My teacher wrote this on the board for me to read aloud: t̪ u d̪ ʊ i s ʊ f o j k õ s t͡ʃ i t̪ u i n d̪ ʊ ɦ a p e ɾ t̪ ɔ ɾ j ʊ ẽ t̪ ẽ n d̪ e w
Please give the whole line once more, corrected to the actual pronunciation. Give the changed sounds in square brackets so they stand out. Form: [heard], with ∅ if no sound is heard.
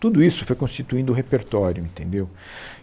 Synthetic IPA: t̪ u d̪ ʊ i s ʊ f o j k õ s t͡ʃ i t̪ u [ĩ] n d̪ ʊ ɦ [e] p e ɾ t̪ ɔ ɾ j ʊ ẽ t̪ ẽ n d̪ e w